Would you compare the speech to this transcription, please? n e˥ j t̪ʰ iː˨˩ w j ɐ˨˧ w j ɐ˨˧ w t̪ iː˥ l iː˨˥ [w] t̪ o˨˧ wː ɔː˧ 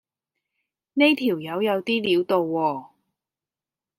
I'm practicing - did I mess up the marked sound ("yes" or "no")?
no